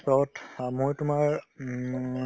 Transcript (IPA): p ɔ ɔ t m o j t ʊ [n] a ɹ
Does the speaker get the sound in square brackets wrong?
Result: yes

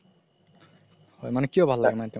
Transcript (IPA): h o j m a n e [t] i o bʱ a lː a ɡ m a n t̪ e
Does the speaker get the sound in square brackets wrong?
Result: yes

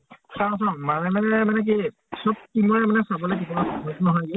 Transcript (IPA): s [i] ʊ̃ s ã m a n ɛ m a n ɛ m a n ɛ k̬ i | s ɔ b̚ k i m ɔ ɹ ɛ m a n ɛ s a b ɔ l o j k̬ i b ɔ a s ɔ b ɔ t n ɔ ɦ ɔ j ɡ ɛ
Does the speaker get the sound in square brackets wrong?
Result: yes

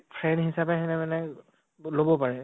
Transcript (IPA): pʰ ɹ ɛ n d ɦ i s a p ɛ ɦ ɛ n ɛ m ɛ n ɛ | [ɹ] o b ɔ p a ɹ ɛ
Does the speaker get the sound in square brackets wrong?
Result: yes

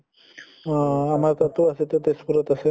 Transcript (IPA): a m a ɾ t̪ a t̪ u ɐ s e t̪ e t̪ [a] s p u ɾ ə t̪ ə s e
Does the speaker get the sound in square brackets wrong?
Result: yes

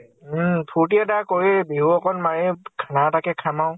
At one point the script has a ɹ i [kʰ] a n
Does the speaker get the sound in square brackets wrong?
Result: no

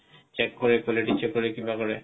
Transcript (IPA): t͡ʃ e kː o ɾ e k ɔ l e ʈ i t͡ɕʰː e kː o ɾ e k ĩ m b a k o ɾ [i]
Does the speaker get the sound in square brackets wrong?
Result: yes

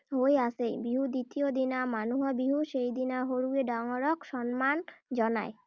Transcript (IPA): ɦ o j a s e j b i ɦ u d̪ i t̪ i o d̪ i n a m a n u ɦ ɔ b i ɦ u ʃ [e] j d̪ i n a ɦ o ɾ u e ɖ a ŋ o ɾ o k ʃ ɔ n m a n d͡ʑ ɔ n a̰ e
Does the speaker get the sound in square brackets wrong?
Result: no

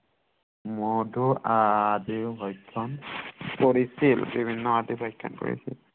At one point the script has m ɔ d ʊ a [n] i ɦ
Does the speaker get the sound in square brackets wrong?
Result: yes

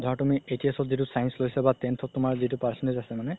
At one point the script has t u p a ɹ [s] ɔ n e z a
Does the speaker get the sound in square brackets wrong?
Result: no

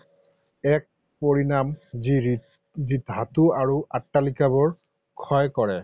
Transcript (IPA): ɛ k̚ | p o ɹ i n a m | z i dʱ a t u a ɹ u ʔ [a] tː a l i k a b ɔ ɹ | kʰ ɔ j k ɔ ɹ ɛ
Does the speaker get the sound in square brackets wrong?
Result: no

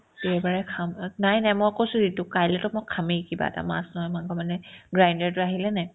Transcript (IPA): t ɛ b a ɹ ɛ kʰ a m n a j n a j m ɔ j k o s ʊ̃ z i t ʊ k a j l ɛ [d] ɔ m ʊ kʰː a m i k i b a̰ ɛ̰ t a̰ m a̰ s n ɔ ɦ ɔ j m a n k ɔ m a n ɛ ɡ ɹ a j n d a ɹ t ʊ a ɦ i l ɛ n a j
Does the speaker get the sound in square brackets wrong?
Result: yes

